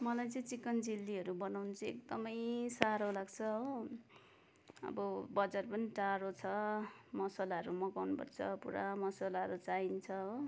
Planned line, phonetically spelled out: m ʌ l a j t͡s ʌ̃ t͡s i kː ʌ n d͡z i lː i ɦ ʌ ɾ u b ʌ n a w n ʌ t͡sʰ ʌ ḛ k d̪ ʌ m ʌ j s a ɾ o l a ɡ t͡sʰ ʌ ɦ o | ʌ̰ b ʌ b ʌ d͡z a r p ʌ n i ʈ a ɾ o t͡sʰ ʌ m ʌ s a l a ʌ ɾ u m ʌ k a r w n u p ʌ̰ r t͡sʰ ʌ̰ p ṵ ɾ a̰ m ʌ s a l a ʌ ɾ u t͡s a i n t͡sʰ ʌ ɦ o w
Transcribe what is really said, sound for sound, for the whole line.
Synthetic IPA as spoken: m ʌ l a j t͡s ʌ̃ t͡s i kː ʌ n d͡z i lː i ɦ ʌ ɾ u b ʌ n a w n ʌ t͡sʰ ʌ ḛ k d̪ ʌ m ʌ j s a ɾ o l a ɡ t͡sʰ ʌ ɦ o | ʌ̰ b ʌ b ʌ d͡z a r p ʌ n i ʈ a ɾ o t͡sʰ ʌ m ʌ s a l a ʌ ɾ u m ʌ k a w n u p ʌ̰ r t͡sʰ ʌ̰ p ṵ ɾ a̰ m ʌ s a l a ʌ ɾ u t͡s a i n t͡sʰ ʌ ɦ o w

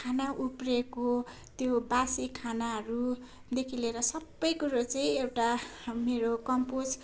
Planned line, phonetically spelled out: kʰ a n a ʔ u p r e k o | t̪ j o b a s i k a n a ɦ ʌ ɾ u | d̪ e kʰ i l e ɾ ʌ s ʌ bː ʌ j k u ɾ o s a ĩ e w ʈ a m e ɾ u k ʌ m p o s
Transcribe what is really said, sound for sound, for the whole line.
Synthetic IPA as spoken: kʰ a n a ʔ u p r e k o | t̪ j o b a s i kʰ a n a ɦ ʌ ɾ u | d̪ e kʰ i l e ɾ ʌ s ʌ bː ʌ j k u ɾ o t͡s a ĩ e w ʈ a m e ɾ o k ʌ m p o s

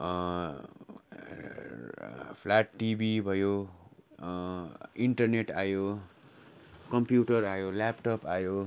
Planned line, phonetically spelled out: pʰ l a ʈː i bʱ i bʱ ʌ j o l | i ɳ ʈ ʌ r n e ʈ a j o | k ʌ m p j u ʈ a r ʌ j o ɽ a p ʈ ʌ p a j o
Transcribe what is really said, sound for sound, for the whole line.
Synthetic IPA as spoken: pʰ l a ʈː i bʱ i bʱ ʌ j o | i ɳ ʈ ʌ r n e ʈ a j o | k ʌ m p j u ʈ ʌ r a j o l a p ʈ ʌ p a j o

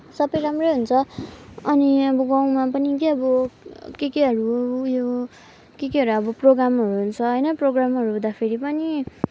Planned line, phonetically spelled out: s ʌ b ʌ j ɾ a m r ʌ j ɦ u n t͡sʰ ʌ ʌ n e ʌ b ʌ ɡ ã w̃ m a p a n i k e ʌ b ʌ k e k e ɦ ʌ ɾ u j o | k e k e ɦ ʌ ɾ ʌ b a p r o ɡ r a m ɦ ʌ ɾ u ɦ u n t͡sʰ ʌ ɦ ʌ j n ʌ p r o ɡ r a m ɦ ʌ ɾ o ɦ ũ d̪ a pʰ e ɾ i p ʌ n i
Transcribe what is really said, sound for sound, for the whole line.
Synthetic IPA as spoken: s ʌ b ʌ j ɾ a m r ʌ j ɦ u n t͡sʰ ʌ ʌ n i ʌ b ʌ ɡ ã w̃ m a p ʌ n i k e ʌ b ʌ k e k e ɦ ʌ ɾ u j o | k e k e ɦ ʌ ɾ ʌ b ʌ p r o ɡ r a m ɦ ʌ ɾ u ɦ u n t͡sʰ ʌ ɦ ʌ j n ʌ p r o ɡ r a m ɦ ʌ ɾ u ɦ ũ d̪ a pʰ e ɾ i p ʌ n i

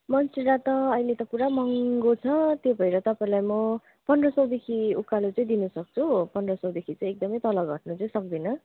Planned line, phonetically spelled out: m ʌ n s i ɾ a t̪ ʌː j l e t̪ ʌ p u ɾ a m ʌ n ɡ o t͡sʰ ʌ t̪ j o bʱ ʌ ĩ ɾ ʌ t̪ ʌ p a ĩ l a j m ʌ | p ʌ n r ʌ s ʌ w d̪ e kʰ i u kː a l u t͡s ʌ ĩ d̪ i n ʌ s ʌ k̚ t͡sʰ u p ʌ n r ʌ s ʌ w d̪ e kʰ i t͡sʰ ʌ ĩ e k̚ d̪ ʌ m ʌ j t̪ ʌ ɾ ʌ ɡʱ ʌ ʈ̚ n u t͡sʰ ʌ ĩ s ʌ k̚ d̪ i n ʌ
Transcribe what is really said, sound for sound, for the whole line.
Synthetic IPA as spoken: m ʌ n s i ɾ a t̪ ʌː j l e t̪ ʌ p u ɾ a m ʌ ŋ ɡ o t͡sʰ ʌ t̪ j o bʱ ʌ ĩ ɾ ʌ t̪ ʌ p a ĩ l a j m ʌ | p ʌ n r ʌ s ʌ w d̪ e kʰ i u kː a l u t͡s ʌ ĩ d̪ i n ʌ s ʌ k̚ t͡sʰ u p ʌ n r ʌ s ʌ w d̪ e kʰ i t͡s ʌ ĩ e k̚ d̪ ʌ m ʌ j t̪ ʌ l ʌ ɡʱ ʌ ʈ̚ n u t͡s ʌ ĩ s ʌ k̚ d̪ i n ʌ

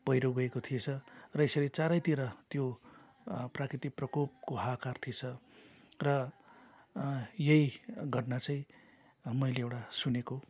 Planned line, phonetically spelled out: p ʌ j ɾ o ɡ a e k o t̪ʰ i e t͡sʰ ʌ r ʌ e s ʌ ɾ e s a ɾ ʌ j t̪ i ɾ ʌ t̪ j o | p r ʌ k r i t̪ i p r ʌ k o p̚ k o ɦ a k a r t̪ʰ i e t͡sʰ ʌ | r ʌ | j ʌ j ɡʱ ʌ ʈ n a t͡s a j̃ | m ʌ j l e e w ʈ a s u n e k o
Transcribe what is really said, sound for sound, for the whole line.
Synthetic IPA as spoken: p ʌ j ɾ o ɡ ʌ e k o t̪ʰ i e t͡sʰ ʌ r ʌ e s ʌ ɾ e t͡s a ɾ ʌ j t̪ i ɾ ʌ t̪ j o | p r a k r i t̪ i p r ʌ k o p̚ k o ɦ a k a r t̪ʰ i e t͡sʰ ʌ | r ʌ | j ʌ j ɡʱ ʌ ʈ n a t͡s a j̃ | m ʌ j l e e w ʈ a s u n e k o

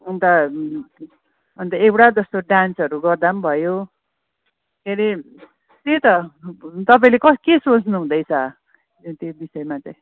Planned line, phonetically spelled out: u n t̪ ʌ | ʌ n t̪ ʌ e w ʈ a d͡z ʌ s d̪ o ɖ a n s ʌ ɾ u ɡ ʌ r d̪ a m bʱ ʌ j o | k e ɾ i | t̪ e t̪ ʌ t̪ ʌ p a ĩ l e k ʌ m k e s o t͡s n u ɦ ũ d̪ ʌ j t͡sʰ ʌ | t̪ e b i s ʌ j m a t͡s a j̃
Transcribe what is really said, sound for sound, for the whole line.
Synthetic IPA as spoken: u n t̪ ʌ | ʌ n t̪ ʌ e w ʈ a d͡z ʌ s t̪ o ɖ a n s ʌ ɾ u ɡ ʌ r d̪ a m bʱ ʌ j o | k e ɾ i | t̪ e t̪ ʌ t̪ ʌ p a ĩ l e k ʌ k e s o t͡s n u ɦ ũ d̪ ʌ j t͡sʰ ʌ | t̪ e b i s ʌ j m a t͡s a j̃

